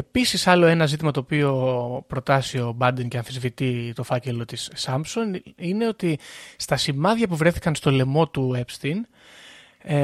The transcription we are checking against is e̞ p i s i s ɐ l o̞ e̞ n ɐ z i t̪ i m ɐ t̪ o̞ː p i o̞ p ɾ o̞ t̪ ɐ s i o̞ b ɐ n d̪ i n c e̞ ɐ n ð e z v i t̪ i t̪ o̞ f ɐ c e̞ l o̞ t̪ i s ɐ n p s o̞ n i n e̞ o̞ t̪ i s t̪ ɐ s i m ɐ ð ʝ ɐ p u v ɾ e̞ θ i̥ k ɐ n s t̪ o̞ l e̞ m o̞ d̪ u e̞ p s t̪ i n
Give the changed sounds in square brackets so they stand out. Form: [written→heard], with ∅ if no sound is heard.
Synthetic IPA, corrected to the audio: e̞ p i s i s ɐ l o̞ e̞ n ɐ z i t̪ i m ɐ t̪ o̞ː p i o̞ p ɾ o̞ t̪ ɐ s i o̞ b ɐ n d̪ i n c e̞ ɐ n [ð→θ] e z v i t̪ i t̪ o̞ f ɐ c e̞ l o̞ t̪ i s ɐ [n→m] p s o̞ n i n e̞ o̞ t̪ i s t̪ ɐ s i m ɐ ð ʝ ɐ p u v ɾ e̞ θ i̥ k ɐ n s t̪ o̞ l e̞ m o̞ [d̪→t̪] u e̞ p s t̪ i n